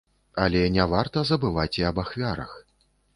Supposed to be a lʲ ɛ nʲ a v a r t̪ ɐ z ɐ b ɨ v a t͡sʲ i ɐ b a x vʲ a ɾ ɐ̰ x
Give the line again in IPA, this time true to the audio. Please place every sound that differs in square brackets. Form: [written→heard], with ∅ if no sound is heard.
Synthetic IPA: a lʲ ɛ nʲ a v a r t̪ ɐ z ɐ b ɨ v a t͡sʲ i ɐ b a x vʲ a ɾ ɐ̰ x